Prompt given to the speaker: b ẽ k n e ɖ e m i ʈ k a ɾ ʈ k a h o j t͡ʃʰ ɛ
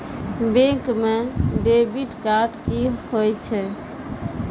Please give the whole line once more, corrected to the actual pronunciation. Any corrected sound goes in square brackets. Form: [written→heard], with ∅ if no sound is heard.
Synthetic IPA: b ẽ k [n→m] e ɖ e [m→b] i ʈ k a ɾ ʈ k [a→i] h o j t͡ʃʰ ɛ